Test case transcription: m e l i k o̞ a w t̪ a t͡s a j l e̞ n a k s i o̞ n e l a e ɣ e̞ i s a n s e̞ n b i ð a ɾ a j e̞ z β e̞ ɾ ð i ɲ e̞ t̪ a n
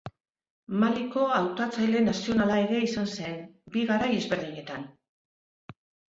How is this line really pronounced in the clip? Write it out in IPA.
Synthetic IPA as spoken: m a l i k o̞ a w t̪ a t͡s a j l e̞ n a s i o̞ n a l a e ɣ e̞ i s a n s e̞ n b i ɣ a ɾ a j e̞ z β e̞ ɾ ð i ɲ e̞ t̪ a n